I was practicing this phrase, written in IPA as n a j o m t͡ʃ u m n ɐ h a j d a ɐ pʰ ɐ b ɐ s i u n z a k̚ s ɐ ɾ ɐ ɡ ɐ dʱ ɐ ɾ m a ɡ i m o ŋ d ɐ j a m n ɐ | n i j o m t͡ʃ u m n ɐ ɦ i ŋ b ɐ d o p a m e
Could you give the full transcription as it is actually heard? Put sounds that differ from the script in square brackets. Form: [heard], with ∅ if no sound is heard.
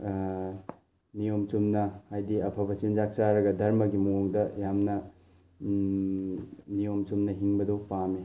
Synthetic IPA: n [i] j o m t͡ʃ u m n ɐ h a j d [i] ɐ pʰ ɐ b ɐ s i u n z a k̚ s [a] ɾ ɐ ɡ ɐ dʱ ɐ ɾ m [ɐ] ɡ i m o ŋ d ɐ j a m n ɐ | n i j o m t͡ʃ u m n ɐ ɦ i ŋ b ɐ d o p a m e